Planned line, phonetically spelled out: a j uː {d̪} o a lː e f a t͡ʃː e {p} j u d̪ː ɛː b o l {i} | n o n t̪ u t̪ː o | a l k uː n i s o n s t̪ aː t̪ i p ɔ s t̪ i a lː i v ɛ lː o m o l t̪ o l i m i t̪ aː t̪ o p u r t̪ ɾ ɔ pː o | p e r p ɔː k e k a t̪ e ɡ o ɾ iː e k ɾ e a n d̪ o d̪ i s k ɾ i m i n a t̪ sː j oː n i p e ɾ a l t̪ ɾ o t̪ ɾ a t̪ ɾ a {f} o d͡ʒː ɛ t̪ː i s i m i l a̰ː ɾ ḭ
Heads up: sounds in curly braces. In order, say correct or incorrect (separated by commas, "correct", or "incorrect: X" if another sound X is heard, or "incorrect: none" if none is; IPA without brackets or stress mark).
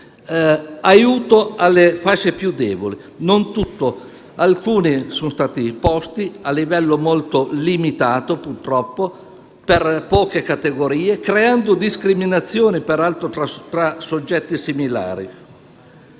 incorrect: t̪, correct, correct, incorrect: s